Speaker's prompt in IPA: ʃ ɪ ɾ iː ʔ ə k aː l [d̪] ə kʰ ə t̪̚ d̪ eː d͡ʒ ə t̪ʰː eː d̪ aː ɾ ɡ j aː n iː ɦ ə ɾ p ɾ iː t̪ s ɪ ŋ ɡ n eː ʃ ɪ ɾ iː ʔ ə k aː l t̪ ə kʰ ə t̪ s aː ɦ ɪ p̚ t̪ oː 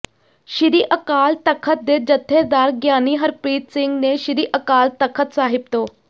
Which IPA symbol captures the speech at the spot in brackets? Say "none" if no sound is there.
t̪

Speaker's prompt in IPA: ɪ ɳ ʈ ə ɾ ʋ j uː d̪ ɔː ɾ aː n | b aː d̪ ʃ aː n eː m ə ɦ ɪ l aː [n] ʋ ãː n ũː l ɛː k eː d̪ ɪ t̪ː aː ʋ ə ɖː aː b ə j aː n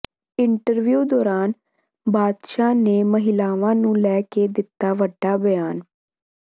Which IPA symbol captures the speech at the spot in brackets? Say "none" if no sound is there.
none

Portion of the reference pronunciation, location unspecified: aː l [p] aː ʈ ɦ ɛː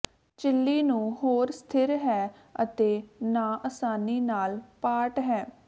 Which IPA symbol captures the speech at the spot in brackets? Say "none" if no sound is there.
p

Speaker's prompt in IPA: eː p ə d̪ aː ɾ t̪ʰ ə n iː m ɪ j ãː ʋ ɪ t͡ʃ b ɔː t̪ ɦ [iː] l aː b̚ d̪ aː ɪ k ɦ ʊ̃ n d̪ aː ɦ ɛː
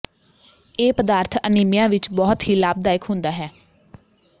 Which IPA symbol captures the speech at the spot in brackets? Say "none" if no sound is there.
iː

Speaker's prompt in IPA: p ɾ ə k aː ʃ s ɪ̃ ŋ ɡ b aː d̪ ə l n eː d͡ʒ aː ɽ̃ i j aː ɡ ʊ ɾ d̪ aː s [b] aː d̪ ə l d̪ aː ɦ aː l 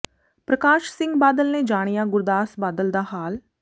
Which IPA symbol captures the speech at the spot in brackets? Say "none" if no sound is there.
b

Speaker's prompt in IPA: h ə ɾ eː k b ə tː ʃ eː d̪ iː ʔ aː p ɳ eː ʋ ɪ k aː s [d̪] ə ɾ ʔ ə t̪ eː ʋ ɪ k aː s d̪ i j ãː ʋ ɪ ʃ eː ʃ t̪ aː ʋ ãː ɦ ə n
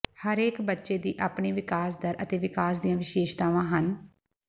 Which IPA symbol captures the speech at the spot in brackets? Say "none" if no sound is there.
d̪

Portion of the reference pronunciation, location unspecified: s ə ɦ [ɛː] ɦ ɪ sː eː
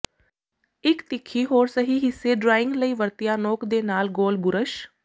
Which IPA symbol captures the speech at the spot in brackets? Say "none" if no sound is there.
iː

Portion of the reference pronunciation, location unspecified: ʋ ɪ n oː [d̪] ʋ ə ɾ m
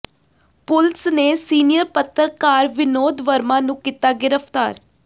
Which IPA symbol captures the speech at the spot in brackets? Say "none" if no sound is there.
d̪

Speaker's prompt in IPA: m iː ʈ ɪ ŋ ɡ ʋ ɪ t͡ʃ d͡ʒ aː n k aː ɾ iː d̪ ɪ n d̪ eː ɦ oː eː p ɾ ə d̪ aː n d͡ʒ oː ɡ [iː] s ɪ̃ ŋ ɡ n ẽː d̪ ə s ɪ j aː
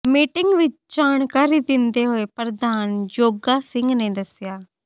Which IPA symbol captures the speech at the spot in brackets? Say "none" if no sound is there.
aː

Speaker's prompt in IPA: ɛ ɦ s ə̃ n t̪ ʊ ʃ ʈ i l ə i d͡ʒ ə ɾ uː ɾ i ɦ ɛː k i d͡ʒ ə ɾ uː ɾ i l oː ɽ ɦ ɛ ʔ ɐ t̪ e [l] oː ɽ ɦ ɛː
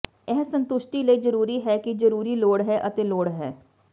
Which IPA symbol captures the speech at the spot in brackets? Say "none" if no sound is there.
l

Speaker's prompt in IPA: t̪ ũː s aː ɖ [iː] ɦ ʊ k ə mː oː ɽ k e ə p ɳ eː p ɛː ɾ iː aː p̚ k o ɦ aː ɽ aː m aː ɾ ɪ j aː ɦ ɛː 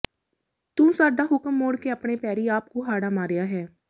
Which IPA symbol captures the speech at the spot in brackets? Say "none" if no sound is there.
aː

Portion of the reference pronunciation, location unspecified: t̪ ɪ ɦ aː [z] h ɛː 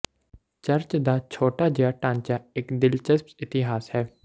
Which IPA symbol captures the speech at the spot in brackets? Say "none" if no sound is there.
s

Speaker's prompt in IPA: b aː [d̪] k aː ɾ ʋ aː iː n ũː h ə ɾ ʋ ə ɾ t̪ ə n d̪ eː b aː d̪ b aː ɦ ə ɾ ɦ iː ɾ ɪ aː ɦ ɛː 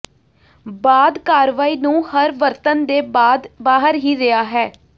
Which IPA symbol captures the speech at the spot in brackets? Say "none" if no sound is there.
d̪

